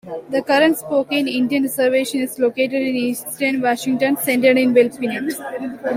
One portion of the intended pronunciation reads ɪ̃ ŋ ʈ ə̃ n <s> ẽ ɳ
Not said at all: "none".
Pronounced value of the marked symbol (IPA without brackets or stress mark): s